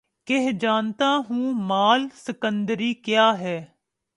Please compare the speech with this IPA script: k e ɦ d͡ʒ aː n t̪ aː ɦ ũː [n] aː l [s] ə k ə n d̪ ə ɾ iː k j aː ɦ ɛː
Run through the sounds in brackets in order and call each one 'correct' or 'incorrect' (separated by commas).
incorrect, correct